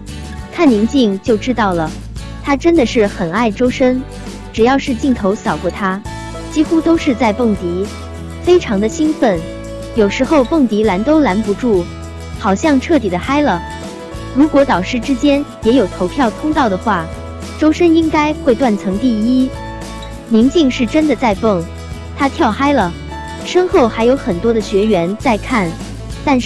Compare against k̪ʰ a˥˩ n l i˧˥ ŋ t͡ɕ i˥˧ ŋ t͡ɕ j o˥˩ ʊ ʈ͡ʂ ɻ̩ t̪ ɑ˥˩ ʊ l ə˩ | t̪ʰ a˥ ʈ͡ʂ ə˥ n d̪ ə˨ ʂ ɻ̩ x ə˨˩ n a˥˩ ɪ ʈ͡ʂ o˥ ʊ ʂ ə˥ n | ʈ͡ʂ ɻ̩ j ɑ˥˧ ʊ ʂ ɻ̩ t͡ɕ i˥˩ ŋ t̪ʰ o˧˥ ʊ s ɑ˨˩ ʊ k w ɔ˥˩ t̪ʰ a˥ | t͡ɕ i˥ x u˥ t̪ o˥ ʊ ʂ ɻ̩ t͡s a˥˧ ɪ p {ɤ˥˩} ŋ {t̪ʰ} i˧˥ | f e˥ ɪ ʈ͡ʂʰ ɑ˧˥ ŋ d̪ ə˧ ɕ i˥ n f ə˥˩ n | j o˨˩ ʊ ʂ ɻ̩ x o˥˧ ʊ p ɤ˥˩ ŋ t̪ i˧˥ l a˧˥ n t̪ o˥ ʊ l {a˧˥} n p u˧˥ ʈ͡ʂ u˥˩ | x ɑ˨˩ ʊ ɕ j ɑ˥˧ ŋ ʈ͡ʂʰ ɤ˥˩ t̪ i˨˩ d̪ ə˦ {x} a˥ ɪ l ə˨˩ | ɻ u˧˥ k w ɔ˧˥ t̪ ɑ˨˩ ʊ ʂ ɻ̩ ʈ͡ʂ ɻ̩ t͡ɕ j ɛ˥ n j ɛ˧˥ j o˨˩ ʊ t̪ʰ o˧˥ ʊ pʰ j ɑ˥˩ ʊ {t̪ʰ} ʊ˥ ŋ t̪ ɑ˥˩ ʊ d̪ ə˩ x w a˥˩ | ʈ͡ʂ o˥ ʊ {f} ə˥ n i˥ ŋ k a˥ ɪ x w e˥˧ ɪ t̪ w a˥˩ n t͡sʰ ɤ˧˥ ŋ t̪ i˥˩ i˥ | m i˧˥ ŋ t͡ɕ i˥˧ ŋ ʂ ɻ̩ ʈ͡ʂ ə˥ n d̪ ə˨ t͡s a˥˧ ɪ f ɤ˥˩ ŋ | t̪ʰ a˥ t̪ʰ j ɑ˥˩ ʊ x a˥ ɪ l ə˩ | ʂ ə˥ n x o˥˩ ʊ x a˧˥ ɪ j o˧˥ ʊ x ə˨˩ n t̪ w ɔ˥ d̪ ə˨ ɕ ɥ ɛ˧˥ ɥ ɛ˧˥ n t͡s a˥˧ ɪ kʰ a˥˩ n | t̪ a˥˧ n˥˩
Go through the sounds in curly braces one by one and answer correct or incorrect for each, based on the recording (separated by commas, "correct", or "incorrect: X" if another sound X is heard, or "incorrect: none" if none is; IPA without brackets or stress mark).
correct, incorrect: t̪, correct, correct, correct, incorrect: ʂ